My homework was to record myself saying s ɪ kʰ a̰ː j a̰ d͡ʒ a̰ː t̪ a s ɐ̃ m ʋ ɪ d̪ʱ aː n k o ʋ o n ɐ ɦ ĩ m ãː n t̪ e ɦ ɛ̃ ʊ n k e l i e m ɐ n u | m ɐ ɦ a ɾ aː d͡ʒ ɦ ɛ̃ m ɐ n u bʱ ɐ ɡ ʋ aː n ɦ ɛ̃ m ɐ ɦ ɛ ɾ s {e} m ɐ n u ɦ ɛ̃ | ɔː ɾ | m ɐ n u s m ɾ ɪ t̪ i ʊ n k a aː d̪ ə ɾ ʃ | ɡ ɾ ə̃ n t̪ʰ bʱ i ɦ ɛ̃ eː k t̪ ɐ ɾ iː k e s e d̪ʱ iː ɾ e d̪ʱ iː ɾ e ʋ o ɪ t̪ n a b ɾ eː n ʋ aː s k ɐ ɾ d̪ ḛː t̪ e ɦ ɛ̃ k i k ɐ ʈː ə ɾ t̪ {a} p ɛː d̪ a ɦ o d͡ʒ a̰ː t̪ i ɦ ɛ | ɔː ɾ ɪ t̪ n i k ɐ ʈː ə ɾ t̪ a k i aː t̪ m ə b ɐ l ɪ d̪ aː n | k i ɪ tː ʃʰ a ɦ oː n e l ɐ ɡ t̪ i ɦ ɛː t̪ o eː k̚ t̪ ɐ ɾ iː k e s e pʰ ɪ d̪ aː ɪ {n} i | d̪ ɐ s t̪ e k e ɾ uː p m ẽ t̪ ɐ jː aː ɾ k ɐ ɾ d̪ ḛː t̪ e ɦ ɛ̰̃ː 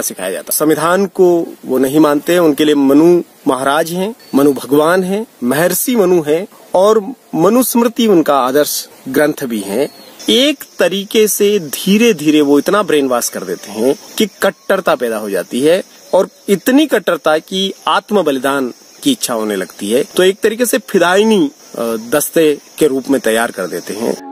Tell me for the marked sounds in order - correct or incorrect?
incorrect: i, correct, correct

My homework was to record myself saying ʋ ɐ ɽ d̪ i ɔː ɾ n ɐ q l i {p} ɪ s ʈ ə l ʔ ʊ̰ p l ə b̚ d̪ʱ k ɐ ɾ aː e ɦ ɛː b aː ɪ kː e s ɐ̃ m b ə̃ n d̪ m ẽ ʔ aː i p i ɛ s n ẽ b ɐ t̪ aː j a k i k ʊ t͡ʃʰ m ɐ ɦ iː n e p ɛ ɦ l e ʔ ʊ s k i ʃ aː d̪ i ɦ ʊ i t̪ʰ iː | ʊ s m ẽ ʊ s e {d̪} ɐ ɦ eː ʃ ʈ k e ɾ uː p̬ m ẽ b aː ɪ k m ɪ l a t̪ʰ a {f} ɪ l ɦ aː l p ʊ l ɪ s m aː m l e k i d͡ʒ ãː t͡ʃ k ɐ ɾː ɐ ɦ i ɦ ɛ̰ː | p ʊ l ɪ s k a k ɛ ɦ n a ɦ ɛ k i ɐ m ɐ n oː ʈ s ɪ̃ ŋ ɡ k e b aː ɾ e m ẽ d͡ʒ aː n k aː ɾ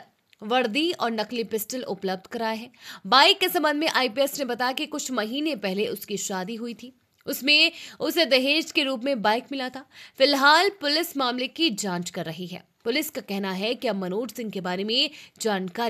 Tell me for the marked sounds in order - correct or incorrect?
correct, correct, correct

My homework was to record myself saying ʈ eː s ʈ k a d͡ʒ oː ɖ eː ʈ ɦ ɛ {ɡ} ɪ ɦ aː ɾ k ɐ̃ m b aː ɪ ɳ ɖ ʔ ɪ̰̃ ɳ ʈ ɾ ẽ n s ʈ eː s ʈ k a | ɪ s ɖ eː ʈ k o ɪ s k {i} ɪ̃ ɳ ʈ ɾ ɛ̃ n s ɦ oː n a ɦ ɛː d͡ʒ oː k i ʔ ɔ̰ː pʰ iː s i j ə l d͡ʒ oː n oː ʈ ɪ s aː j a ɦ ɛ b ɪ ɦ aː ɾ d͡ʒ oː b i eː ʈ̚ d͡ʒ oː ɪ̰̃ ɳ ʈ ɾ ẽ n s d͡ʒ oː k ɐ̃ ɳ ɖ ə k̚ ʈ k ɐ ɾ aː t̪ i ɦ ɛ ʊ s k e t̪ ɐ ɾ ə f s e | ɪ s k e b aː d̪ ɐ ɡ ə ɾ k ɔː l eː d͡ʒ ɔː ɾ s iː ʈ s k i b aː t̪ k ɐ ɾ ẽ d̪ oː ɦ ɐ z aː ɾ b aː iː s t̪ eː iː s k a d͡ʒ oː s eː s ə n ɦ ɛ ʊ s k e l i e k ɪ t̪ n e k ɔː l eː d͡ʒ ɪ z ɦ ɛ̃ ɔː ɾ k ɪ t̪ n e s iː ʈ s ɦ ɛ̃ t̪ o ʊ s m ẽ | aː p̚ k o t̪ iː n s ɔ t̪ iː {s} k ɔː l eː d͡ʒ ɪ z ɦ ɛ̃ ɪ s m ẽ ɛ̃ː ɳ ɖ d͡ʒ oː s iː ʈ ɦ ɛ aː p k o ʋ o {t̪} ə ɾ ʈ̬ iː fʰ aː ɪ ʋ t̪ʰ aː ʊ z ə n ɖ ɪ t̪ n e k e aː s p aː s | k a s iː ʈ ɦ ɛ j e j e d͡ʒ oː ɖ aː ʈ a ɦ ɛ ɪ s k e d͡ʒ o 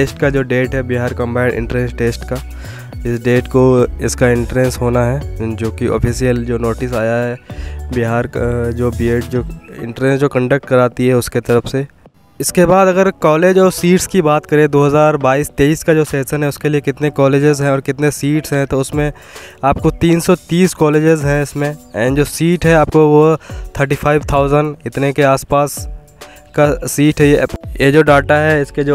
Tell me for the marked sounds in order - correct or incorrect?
incorrect: b, incorrect: a, correct, incorrect: t̪ʰ

